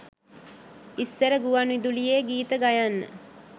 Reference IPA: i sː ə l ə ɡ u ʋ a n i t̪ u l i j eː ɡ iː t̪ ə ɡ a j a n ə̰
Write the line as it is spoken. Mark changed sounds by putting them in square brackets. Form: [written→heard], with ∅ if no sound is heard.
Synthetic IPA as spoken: i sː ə [l→ɾ] ə ɡ u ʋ a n i [t̪→d̪] u l i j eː ɡ iː t̪ ə ɡ a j a [n→nː] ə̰